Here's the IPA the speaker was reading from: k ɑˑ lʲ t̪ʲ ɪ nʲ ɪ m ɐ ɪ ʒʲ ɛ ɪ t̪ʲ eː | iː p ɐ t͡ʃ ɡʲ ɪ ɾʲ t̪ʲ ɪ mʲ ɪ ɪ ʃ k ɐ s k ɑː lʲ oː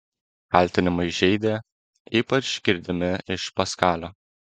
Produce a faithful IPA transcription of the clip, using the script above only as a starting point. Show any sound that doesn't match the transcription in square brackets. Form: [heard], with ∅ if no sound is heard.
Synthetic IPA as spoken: k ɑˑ lʲ t̪ʲ ɪ nʲ ɪ m ɐ ɪ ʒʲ ɛ ɪ [d̪ʲ] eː | iː p ɐ t͡ʃ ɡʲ ɪ ɾʲ [d̪ʲ] ɪ mʲ ɪ ɪ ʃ [p] ɐ s k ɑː lʲ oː